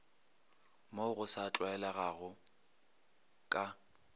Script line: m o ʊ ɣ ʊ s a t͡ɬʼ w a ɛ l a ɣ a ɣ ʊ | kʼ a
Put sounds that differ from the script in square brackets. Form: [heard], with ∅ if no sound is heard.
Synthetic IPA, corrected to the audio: m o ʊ ɣ ʊ s a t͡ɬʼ w a ɛ l a ɣ a ɣ ʊ | kʼ a